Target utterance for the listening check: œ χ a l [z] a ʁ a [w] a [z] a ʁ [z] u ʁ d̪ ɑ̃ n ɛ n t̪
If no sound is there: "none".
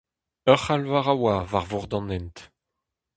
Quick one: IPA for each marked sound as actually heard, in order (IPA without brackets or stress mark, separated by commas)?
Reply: v, w, v, v